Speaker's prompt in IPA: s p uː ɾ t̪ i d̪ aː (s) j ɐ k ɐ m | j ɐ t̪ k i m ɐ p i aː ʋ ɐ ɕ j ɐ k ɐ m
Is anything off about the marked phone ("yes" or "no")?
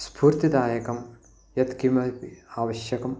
yes